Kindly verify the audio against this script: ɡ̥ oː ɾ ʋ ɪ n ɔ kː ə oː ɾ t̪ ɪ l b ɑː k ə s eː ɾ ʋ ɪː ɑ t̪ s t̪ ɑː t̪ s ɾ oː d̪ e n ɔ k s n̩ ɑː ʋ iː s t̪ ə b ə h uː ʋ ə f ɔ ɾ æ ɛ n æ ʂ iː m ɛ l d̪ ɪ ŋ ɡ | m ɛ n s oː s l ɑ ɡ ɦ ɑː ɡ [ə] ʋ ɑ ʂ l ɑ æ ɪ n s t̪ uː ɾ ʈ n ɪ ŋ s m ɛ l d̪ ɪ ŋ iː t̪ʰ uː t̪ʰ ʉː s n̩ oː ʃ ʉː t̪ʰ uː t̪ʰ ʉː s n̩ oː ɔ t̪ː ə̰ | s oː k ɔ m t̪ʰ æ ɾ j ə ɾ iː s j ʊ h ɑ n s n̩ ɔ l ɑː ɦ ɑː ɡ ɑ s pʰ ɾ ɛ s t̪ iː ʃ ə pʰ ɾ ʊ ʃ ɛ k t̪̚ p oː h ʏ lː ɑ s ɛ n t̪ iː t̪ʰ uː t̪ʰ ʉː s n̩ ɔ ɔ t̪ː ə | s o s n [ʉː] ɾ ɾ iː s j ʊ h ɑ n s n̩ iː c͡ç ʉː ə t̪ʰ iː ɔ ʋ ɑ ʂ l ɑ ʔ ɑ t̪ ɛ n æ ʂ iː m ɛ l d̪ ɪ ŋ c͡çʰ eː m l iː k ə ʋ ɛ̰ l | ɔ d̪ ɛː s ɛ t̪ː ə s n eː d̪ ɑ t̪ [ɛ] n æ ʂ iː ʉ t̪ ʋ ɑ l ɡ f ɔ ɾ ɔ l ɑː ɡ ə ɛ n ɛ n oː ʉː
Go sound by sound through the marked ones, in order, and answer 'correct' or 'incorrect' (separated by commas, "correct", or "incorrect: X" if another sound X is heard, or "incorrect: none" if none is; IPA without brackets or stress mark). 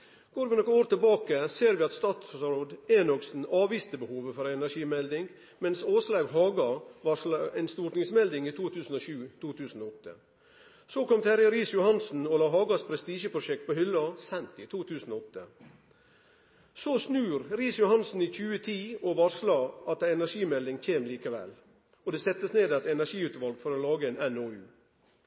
incorrect: ɑ, correct, correct